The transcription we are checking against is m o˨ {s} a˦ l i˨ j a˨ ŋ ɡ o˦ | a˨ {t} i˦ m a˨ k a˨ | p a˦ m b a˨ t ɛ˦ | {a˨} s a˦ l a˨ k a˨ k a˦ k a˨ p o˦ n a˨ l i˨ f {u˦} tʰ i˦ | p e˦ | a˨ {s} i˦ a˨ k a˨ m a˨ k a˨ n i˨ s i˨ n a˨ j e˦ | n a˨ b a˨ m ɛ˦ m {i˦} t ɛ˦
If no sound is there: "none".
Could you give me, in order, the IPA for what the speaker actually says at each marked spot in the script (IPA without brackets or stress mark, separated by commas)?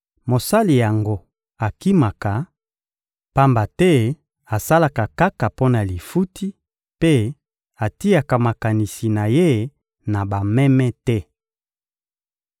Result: s, k, a˨, u˦, t, ɛ˦